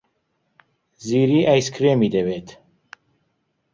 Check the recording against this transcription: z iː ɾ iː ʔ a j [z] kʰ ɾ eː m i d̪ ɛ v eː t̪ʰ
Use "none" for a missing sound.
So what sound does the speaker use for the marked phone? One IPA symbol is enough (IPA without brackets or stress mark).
s